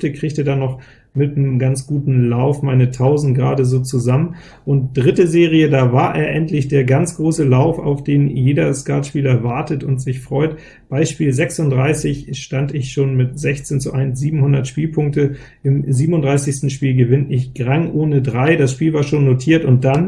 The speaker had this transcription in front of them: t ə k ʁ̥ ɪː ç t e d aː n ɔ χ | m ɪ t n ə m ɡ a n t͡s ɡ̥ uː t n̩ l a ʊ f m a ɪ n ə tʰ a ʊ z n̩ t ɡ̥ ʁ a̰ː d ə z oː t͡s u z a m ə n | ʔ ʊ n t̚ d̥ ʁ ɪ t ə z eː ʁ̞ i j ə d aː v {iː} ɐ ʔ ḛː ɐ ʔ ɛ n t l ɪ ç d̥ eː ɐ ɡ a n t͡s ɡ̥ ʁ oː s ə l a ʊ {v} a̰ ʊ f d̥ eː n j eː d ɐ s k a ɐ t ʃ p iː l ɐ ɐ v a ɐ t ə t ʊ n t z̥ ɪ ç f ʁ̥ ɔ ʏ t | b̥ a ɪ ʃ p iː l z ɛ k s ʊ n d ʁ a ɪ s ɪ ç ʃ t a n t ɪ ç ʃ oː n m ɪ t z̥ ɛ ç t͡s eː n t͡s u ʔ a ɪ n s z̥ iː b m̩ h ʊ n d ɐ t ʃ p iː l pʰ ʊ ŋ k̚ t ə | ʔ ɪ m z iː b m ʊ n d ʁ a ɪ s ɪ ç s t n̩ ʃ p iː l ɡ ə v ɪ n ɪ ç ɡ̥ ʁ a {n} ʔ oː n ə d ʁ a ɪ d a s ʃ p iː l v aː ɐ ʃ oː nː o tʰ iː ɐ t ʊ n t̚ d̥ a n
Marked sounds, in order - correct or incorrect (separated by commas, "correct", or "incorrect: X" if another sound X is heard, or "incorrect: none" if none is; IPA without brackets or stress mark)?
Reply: incorrect: aː, incorrect: f, incorrect: ŋ